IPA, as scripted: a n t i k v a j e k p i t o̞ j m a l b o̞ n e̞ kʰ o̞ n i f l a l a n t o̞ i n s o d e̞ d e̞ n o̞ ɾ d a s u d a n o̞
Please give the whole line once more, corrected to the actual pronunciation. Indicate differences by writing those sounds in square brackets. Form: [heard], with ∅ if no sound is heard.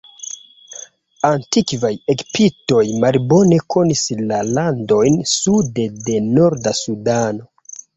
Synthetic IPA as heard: a n t i k v a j e k p i t o̞ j m a l b o̞ n e̞ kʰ o̞ n i [s] l a l a n [d] o̞ [j] n s [u] d e̞ d e̞ n o̞ ɾ d a s u d a n o̞